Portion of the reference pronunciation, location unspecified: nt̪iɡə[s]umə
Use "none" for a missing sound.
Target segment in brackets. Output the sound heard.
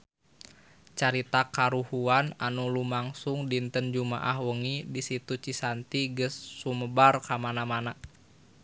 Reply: sː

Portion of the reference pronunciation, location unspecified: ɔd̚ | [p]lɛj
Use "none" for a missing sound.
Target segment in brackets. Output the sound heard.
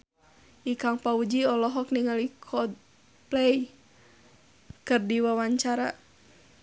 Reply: p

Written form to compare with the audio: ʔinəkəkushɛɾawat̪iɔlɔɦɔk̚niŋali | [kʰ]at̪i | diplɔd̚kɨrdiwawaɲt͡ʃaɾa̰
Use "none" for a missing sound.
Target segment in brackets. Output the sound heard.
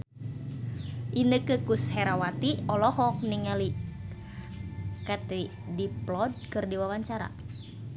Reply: k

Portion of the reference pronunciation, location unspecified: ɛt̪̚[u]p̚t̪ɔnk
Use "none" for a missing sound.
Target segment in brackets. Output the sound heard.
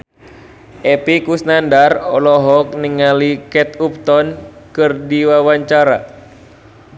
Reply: u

